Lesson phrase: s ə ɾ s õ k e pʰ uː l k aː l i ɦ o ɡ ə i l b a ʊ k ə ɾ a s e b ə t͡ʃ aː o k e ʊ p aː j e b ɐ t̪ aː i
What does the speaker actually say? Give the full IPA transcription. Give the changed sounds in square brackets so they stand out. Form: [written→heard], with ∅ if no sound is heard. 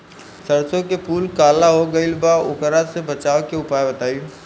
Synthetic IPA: s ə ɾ s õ k e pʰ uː l k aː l [i→a] ɦ o ɡ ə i l b a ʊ k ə ɾ a s e b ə t͡ʃ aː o k e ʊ p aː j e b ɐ t̪ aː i